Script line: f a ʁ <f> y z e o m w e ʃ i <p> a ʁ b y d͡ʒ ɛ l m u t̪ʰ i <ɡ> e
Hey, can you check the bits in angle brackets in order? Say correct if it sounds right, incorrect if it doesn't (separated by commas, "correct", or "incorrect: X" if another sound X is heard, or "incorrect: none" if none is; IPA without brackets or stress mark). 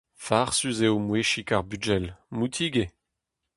incorrect: s, incorrect: k, correct